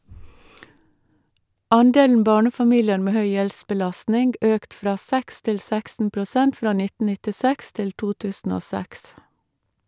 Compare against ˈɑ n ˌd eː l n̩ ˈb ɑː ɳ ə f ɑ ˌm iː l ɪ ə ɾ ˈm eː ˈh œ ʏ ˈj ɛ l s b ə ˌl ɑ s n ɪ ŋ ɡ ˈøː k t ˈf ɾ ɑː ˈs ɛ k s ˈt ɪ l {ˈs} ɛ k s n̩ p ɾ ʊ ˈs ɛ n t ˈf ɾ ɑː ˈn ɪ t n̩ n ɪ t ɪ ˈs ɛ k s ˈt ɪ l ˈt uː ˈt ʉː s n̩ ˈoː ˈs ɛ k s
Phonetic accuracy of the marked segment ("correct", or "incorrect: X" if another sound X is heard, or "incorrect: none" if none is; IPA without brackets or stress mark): correct